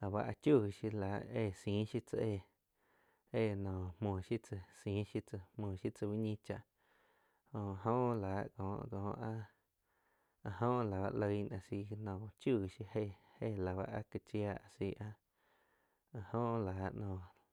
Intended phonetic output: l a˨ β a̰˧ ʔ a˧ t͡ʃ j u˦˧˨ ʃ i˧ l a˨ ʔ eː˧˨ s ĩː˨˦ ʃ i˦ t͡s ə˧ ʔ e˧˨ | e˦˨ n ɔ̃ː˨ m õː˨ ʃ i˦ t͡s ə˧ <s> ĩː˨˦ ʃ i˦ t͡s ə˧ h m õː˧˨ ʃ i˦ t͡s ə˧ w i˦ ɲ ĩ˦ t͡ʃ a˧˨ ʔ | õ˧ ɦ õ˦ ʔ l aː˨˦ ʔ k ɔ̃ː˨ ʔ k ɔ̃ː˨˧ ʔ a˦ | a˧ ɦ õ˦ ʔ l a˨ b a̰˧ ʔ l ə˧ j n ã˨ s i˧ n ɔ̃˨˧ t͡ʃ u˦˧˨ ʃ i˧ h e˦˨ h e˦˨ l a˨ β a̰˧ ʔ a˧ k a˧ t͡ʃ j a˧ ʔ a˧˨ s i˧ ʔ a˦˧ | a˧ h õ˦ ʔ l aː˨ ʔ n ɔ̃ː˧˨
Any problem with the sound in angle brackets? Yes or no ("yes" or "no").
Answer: no